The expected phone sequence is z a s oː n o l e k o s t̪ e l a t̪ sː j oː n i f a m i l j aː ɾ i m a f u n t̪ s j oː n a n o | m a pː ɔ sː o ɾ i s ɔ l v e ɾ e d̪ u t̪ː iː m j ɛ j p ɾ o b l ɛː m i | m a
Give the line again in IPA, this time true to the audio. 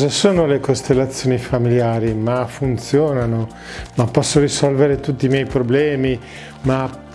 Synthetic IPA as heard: z a s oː n o l e k o s t̪ e lː a t̪ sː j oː n i f a m i l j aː ɾ i m a f u n t̪ s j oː n a n o | m a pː ɔ sː o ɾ i s ɔ l v e ɾ e t̪ u t̪ː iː m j ɛ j p ɾ o b l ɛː m i | m a